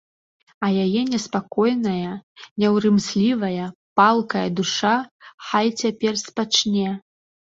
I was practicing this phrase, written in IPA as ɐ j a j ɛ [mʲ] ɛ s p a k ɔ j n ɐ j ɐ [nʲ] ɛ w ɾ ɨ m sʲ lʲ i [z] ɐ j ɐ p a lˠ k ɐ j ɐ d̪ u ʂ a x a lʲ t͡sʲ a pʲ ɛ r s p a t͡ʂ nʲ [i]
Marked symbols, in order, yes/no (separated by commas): no, yes, no, no